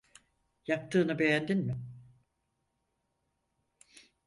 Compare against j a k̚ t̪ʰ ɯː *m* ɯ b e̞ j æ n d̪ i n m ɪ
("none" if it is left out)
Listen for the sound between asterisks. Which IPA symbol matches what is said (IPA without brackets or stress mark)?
n